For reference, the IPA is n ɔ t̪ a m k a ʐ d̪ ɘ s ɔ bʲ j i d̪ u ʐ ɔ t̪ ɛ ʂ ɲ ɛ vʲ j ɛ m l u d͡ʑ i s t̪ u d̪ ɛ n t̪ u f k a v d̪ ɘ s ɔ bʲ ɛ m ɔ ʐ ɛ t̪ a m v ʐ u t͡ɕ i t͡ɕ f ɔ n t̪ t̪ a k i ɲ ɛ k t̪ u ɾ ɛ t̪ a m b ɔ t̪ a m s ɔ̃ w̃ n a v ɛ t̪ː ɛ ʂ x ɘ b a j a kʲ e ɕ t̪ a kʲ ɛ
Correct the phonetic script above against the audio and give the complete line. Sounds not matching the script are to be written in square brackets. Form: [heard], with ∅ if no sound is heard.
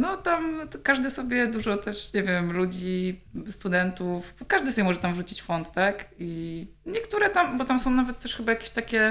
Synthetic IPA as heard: n ɔ t̪ a m k a ʐ d̪ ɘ s ɔ bʲ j [ɛ] d̪ u ʐ ɔ t̪ ɛ ʂ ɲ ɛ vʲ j ɛ m l u d͡ʑ i s t̪ u d̪ ɛ n t̪ u f k a [ʐ] d̪ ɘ s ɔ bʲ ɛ m ɔ ʐ ɛ t̪ a m v ʐ u t͡ɕ i t͡ɕ f ɔ n t̪ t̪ a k i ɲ ɛ k t̪ u ɾ ɛ t̪ a m b ɔ t̪ a m s ɔ̃ w̃ n a v ɛ t̪ː ɛ ʂ x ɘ b a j a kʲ e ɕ t̪ a kʲ ɛ